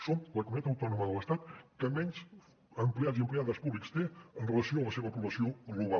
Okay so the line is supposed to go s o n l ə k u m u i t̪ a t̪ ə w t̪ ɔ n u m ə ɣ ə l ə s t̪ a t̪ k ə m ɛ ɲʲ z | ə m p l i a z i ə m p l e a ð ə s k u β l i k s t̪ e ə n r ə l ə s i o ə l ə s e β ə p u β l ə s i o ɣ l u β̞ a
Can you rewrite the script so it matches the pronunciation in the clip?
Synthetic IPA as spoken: s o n l ə k u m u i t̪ a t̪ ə w t̪ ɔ n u m ə ð ə l ə s t̪ a t̪ k ə m ɛ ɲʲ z | ə m p l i a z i ə m p l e a ð ə s p u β l i k s t̪ e ə n r ə l ə s i o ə l ə s e β ə p u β l ə s i o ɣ l u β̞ a

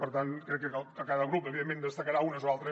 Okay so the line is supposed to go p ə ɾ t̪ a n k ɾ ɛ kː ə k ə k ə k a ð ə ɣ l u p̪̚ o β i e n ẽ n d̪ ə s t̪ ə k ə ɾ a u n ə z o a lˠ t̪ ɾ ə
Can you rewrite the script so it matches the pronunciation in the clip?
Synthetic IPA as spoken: p ə ɾ t̪ a n k ɾ ɛ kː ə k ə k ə k a ð ə ɣ ɾ u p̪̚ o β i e m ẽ n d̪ ə s t̪ ə k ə ɾ a u n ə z o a lˠ t̪ ɾ ə

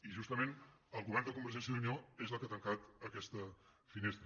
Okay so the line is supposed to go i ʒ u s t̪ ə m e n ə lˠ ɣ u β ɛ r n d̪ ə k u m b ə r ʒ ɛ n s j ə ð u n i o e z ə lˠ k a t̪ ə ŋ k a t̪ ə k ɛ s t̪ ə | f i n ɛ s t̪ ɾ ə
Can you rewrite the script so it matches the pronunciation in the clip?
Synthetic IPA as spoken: i ʒ u s t̪ ə m e n ə lˠ ɣ u β ɛ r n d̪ ə k u m b ə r ʒ ɛ n s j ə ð u n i o e z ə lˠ k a t̪ ə ŋ k a t̪ ə k ɛ s t̪ ə | f i n e s t̪ ɾ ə

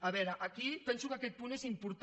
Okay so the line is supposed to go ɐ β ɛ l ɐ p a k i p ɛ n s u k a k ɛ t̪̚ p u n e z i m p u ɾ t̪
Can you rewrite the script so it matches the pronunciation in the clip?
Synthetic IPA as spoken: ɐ β ɛ ɾ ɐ ʔ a k i p ɛ n s u k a k ɛ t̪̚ p u n e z i m p u ɾ t̪

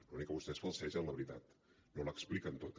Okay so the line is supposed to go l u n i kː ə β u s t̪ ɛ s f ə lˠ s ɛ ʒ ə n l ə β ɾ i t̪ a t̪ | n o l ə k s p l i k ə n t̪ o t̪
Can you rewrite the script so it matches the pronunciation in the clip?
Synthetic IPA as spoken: l u n i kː ə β u s t̪ ɛ s f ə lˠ s ɛ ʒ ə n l ə β ɾ i t̪ a t̪ | n o l ə k s p l i k ə n t̪ o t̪

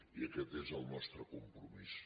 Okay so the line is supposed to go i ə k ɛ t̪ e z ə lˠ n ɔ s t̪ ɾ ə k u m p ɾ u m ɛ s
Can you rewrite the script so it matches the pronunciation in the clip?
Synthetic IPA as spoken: i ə k ɛ t̪ e z ə lˠ n ɔ s t̪ ɾ ə k u m p ɾ u m i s

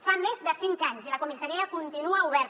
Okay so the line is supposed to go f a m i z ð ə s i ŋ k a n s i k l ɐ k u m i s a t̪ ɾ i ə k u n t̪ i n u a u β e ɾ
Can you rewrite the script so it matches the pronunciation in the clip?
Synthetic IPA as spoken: f a m e z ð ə s i ŋ k a ɲ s i l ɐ k u m i s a ɾ i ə k u n t̪ i n u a u β ɛ ɾ

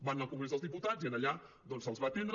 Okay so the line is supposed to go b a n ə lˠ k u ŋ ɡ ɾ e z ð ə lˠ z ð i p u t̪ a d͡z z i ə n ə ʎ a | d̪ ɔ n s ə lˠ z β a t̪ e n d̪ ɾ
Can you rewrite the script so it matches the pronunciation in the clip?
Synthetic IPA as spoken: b a n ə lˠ k u ŋ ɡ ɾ e z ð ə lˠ z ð i p u t̪ a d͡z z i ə n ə ʎ a | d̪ ɔ n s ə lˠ z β a t̪ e n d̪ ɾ

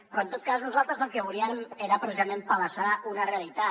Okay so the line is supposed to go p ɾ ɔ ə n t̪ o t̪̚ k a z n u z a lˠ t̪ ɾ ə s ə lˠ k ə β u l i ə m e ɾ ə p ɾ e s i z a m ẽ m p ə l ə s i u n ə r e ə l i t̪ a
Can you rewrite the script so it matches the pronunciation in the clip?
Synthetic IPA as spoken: p ɾ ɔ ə n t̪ o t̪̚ k a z n u z a lˠ t̪ ɾ ə z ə lˠ k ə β u l i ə m e ɾ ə p ɾ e s i z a m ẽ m p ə l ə s a u n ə r e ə l i t̪ a

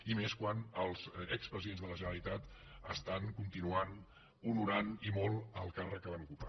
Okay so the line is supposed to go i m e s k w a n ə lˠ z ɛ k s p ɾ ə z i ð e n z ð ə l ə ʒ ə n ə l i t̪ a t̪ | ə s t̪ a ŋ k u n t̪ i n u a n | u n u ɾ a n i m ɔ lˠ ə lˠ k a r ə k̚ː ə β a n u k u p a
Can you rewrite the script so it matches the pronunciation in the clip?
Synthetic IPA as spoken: i m e s k w a n ə lˠ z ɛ k s p ɾ ə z i ð e n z ð ə l ə ʒ ə n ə l i t̪ a t̪ | ə s t̪ a ŋ k u n t̪ i n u a n | u n u ɾ a n i m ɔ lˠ ə lˠ k a r ə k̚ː ə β a n u k u p a

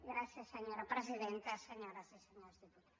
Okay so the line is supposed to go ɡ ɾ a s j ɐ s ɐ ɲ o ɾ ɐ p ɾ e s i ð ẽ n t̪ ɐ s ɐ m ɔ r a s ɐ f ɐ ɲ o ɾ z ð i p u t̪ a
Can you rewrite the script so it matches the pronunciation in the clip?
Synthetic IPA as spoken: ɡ ɾ a s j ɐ s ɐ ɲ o ɾ ɐ p ɾ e z i ð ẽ n t̪ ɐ s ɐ ɲ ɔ ɾ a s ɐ s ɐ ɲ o ɾ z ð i p u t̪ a

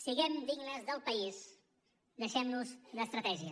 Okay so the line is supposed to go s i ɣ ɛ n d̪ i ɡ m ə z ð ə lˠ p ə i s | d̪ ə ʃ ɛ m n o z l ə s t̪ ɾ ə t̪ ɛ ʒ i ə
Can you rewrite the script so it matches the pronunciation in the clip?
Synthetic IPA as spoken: s i ɣ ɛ m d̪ i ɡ n ə z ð ə lˠ p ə i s | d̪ ə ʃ ɛ m n u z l ə s t̪ ɾ ə t̪ ɛ ʒ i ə

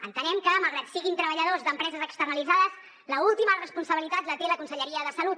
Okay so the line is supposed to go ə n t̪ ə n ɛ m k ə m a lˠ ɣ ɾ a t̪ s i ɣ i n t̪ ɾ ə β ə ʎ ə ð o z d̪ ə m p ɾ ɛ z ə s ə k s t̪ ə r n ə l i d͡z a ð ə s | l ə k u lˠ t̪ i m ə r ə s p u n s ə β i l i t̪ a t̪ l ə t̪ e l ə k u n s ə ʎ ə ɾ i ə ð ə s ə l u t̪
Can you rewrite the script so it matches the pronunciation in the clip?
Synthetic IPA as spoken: ə n t̪ ə n ɛ m k ə m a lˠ ɣ ɾ a t̪ s i ɣ i n t̪ ɾ ə β ə ʎ ə ð o z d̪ ə m p ɾ ɛ z ə z ə k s t̪ ə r n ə l i d͡z a ð ə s | l ə u lˠ t̪ i m ə r ə s p u n s ə β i l i t̪ a t̪ l ə t̪ e l ə k u n s ə ʎ ə ɾ i ə ð ə s ə l u t̪

